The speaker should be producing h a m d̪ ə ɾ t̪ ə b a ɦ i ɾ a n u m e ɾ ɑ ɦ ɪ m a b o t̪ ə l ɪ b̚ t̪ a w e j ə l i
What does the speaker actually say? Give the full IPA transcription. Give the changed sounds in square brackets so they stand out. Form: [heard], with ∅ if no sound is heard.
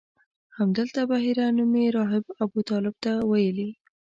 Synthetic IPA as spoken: h a m d̪ ə [l] t̪ [a] b a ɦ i ɾ a n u m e ɾ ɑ ɦ ɪ [b] a b [u] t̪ [ɑ] l ɪ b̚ t̪ a w [a] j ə l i